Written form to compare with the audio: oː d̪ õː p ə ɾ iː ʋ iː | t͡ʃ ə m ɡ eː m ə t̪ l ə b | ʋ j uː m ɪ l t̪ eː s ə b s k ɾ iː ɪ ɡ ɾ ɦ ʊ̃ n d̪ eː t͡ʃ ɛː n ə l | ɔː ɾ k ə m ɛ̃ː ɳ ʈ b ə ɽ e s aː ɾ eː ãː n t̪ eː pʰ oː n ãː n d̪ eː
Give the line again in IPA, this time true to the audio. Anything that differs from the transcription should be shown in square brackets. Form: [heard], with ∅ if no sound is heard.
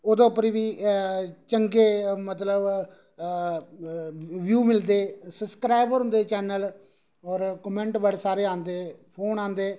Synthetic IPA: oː d̪ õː p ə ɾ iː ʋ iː | t͡ʃ ə [ŋ] ɡ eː m ə t̪ l ə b | ʋ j uː m ɪ l [d̪] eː s ə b s k ɾ [aː] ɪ [b] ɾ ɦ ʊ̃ n d̪ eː t͡ʃ ɛː n ə l | ɔː ɾ k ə m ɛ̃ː ɳ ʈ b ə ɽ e s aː ɾ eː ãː n [d̪] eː pʰ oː n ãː n d̪ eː